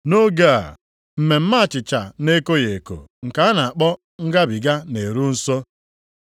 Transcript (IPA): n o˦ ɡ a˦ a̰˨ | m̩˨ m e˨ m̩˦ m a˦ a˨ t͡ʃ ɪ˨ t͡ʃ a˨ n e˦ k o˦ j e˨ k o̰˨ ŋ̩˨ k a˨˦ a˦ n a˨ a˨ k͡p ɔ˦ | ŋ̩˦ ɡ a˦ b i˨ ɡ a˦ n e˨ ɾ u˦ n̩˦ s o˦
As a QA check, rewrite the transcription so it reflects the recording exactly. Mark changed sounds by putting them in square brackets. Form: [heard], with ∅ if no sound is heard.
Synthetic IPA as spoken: n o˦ ɡ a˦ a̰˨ | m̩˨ m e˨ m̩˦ m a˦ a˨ t͡ʃ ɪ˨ t͡ʃ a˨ n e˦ k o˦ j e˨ k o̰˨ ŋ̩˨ k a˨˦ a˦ n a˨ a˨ k͡p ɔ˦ | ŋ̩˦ ɡ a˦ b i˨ ɡ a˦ n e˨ ɾ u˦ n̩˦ s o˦